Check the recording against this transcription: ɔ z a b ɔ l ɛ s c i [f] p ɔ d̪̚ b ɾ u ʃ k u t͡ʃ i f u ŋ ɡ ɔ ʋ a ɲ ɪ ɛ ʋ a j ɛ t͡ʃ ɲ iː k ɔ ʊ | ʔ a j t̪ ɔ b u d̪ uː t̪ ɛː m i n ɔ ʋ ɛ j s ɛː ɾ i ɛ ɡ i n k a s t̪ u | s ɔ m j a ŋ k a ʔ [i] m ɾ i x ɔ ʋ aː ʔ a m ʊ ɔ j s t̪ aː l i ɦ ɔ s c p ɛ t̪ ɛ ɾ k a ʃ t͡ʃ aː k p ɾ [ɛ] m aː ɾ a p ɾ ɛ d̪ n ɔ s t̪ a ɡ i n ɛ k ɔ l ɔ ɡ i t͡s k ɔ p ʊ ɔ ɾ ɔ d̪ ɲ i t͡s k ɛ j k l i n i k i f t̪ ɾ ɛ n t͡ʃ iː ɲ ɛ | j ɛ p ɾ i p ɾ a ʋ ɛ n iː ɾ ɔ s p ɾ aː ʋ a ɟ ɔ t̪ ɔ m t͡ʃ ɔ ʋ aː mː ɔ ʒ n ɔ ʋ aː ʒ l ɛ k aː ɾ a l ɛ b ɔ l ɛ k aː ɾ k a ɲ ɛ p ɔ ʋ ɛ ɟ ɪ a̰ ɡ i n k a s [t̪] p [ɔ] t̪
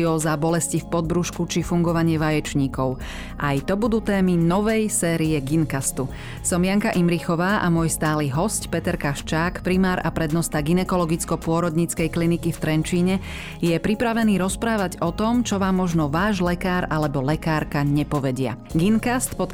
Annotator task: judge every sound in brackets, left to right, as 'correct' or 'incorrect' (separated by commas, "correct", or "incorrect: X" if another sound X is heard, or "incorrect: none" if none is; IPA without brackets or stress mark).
correct, correct, incorrect: i, correct, correct